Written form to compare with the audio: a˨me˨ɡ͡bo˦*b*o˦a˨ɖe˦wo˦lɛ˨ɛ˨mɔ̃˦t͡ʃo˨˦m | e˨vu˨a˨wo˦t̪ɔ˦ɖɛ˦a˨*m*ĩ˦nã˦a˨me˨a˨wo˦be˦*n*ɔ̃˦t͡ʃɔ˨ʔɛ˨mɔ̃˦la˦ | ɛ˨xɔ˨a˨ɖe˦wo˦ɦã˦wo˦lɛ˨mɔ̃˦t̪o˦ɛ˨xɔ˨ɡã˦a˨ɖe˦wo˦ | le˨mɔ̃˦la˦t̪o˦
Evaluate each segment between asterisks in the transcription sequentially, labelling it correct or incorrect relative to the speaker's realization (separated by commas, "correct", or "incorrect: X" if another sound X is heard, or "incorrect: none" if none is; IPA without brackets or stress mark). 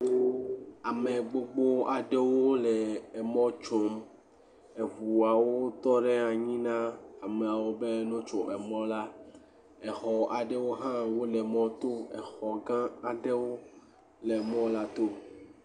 incorrect: ɡ͡b, incorrect: ɲ, correct